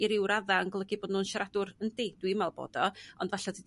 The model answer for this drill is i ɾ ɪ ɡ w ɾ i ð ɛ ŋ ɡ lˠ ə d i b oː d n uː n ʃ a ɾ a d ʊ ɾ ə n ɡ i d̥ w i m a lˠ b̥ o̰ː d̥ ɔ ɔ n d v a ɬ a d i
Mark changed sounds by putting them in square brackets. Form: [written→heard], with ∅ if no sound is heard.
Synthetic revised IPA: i ɾ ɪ [ɡ→∅] w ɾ [i→a] ð [ɛ→a] ŋ ɡ lˠ ə [d→ɡ] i b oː d n uː n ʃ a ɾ a d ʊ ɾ ə n [ɡ→d] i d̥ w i m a lˠ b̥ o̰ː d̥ ɔ ɔ n d v a ɬ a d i